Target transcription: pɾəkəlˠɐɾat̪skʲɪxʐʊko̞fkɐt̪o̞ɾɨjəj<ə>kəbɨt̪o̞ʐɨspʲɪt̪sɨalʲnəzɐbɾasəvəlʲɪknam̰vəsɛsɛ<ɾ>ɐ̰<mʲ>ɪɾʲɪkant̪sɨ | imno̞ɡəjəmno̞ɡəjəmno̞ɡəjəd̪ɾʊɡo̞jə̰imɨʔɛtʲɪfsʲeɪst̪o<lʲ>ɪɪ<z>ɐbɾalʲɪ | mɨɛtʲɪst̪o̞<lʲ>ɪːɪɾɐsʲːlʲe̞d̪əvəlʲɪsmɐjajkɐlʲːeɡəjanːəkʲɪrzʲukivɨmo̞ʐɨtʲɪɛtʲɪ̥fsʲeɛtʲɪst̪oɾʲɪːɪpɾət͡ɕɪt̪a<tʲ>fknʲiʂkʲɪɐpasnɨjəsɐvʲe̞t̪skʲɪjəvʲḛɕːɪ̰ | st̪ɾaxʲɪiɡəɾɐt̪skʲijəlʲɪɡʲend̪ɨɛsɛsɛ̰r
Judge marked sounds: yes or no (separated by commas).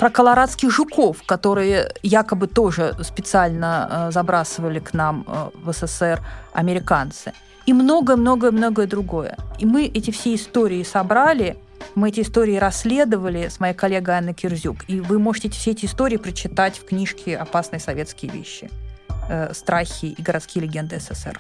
no, no, yes, no, no, no, yes